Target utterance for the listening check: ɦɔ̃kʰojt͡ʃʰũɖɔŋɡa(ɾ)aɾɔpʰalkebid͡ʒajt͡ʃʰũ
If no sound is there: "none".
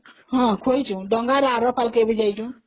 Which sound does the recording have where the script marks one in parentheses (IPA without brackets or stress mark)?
ɾ